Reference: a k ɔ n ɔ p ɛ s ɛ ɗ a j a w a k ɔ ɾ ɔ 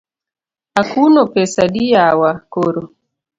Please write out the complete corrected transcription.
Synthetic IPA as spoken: a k u n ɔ p ɛ s a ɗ i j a w a k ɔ ɾ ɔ

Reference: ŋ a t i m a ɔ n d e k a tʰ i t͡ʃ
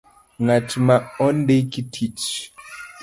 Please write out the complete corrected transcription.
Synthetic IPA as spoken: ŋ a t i m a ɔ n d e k i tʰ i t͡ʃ

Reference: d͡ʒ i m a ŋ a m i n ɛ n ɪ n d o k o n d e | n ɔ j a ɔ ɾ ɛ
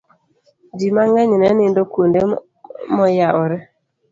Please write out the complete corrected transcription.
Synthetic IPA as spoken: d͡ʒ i m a ŋ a ɲ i n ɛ n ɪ n d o k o n d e | m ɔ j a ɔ ɾ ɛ

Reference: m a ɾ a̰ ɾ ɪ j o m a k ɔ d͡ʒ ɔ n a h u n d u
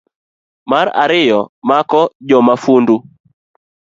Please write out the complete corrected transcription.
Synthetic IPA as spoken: m a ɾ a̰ ɾ ɪ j ɔ m a k ɔ d͡ʒ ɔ m a f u n d u

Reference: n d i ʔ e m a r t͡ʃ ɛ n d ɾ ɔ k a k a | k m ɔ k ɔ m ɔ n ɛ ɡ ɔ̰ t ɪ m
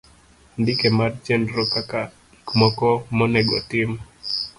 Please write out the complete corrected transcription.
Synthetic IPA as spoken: n d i k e m a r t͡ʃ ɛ n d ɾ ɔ k a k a | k m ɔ k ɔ m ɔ n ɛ ɡ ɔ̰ t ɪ m

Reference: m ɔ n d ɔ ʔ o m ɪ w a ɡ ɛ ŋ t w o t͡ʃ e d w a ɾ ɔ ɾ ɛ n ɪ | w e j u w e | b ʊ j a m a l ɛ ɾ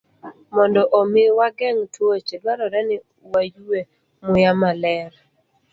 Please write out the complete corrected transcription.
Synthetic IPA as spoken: m ɔ n d ɔ ʔ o m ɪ w a ɡ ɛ ŋ t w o t͡ʃ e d w a ɾ ɔ ɾ ɛ n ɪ | w a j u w e | m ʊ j a m a l ɛ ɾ

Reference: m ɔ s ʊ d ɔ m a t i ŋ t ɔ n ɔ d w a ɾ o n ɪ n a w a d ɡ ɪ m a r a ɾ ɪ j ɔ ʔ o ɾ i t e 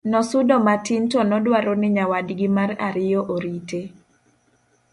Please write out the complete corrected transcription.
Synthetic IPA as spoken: n ɔ s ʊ d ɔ m a t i n t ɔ n ɔ d w a ɾ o n ɪ ɲ a w a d ɡ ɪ m a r a ɾ ɪ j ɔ ʔ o ɾ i t e

